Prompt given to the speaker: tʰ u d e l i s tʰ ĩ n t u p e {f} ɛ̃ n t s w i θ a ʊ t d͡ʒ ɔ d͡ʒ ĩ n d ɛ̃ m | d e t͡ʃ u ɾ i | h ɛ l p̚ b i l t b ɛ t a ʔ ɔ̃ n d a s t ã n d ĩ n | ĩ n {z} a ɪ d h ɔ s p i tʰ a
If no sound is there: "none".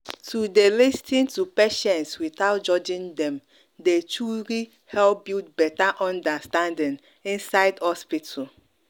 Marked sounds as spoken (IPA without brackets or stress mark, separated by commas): ʃ, s